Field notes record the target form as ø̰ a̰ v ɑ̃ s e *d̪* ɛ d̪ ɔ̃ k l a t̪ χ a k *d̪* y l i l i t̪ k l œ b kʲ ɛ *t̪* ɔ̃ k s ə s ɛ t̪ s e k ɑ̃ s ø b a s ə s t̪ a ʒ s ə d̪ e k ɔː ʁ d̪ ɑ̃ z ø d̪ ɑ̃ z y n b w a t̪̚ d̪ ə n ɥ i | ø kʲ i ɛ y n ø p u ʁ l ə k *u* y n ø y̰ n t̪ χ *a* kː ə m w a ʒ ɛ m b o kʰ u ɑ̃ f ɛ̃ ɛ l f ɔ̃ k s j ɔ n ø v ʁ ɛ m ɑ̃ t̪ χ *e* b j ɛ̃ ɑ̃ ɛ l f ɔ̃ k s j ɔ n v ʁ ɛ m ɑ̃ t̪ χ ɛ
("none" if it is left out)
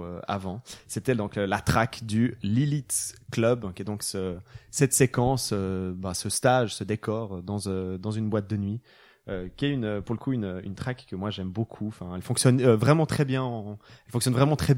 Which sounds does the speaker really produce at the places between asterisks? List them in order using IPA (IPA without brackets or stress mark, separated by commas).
t̪, d̪, d̪, u, a, ɛ